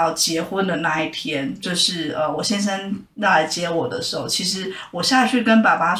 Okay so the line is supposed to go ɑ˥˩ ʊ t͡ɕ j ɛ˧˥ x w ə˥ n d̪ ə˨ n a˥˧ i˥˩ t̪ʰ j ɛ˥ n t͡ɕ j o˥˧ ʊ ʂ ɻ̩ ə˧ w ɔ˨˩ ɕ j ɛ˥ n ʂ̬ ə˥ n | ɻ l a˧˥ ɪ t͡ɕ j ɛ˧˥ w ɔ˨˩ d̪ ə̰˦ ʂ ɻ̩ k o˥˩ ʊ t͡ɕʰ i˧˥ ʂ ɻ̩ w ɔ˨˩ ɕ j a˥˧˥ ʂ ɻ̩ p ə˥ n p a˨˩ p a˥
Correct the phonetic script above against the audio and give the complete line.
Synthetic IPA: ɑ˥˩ ʊ t͡ɕ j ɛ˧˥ x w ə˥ n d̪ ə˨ n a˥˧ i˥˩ t̪ʰ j ɛ˥ n t͡ɕ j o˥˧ ʊ ʂ ɻ̩ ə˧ w ɔ˨˩ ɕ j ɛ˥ n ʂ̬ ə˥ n | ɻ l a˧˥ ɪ t͡ɕ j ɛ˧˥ w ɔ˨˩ d̪ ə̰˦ ʂ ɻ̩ x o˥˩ ʊ t͡ɕʰ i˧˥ ʂ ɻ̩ w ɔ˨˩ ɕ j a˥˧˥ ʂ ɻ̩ k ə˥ n p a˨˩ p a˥